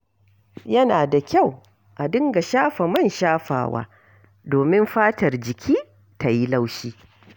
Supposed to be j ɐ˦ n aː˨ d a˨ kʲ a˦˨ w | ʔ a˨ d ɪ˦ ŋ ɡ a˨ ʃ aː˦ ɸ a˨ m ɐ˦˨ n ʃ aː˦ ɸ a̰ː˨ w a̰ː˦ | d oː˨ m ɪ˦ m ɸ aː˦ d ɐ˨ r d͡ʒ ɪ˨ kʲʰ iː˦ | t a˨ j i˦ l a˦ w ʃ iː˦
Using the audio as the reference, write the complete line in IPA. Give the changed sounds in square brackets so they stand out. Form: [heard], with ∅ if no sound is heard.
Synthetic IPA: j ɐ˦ n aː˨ d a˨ kʲ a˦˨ w | ʔ a˨ d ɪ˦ ŋ ɡ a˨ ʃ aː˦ ɸ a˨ m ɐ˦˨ n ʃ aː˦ ɸ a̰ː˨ w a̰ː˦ | d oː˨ m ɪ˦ m ɸ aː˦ [t] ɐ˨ r d͡ʒ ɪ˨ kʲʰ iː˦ | t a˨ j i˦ l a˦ w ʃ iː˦